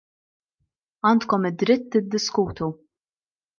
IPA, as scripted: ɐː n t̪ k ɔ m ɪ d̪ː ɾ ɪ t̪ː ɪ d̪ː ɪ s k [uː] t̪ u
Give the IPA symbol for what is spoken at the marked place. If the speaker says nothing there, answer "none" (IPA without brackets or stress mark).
uː